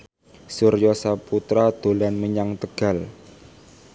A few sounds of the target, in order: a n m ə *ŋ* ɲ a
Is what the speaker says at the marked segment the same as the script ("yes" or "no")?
no